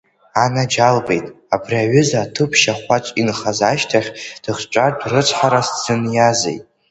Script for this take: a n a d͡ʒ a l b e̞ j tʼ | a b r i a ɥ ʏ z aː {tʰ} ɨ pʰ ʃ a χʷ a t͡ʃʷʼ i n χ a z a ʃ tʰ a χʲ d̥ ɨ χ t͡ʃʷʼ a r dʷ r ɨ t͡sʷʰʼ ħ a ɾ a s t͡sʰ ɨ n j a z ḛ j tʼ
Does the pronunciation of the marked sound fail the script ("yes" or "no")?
no